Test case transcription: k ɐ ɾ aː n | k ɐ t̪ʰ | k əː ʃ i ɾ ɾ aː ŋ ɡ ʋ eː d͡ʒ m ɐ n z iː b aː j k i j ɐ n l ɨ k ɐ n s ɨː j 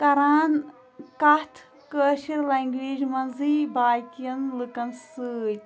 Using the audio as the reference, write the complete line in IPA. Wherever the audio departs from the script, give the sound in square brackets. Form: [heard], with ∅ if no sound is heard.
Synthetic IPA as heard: k ɐ ɾ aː n | k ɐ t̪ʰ | k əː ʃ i ɾ [l] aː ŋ ɡ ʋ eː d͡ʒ m ɐ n z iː b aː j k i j ɐ n l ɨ k ɐ n s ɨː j